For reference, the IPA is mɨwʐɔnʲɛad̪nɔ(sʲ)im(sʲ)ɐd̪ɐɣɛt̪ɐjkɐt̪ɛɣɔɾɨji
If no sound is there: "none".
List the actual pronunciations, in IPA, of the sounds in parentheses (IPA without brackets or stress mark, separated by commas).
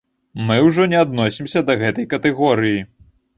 sʲ, sʲ